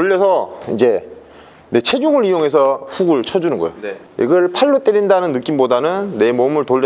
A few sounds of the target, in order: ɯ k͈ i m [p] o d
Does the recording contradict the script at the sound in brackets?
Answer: yes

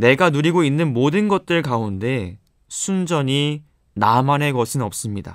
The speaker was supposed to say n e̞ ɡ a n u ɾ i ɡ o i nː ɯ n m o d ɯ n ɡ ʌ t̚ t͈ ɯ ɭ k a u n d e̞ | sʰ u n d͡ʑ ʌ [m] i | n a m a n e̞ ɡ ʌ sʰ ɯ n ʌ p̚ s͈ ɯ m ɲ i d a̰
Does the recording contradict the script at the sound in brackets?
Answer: yes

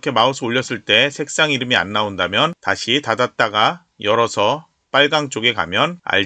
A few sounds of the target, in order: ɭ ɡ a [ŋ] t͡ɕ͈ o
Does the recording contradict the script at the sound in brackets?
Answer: no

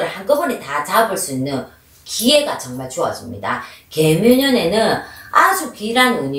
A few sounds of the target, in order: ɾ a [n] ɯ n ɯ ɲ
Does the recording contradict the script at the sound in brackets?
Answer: no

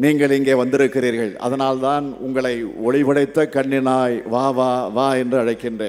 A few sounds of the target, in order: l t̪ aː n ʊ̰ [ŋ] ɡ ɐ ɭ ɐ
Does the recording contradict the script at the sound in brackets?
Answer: no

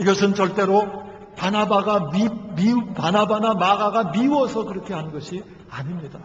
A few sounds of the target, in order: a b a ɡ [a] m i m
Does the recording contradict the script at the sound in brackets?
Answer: no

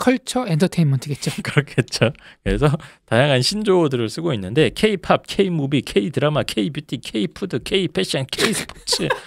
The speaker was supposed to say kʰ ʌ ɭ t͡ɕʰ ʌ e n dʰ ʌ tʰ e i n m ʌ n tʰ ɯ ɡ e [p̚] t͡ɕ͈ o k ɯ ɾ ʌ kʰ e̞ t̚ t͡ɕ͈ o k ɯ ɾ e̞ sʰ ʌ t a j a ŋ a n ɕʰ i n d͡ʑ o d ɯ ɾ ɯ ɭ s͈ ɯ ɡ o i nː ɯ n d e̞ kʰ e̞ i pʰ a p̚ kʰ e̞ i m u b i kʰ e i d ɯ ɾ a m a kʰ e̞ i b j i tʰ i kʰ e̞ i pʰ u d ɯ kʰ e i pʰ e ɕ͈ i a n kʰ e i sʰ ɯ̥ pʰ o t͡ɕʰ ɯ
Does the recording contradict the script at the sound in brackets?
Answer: yes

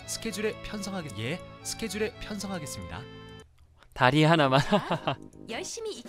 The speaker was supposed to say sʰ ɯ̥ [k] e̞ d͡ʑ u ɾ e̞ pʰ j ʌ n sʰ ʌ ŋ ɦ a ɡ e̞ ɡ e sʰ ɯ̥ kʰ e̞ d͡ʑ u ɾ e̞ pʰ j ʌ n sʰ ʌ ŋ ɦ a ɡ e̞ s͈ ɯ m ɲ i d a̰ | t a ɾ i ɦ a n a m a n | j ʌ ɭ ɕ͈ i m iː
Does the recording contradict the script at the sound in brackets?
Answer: yes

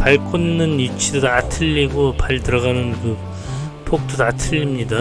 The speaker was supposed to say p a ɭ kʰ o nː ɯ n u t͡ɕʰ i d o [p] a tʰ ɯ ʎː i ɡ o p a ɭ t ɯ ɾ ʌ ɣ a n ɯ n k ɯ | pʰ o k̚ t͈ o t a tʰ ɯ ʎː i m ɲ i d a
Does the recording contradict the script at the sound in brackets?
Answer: yes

